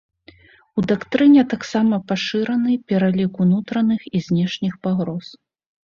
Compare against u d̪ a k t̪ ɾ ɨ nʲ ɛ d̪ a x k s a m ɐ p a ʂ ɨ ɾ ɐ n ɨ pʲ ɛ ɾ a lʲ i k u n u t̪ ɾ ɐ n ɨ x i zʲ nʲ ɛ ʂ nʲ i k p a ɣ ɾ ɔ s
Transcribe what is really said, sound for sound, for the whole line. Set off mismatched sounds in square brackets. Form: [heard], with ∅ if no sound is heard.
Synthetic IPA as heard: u d̪ a k t̪ ɾ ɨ nʲ ɛ [t̪] a [∅] k s a m ɐ p a ʂ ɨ ɾ ɐ n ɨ pʲ ɛ ɾ a lʲ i k u n u t̪ ɾ ɐ n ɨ x i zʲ nʲ ɛ ʂ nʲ i [x] p a ɣ ɾ ɔ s